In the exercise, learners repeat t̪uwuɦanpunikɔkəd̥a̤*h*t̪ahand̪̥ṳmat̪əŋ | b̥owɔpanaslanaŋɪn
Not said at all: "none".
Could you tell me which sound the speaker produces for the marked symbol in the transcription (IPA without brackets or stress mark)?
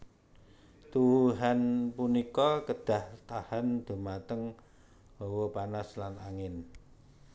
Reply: h